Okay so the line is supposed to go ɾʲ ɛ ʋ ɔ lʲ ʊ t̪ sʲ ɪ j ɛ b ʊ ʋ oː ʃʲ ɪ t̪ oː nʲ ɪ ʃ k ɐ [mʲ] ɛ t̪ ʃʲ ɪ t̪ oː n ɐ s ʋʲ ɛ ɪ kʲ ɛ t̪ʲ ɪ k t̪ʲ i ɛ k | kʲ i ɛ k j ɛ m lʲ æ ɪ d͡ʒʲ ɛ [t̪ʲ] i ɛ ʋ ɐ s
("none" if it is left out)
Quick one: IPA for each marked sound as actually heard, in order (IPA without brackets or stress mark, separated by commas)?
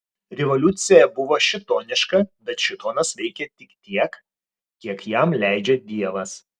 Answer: bʲ, d̪ʲ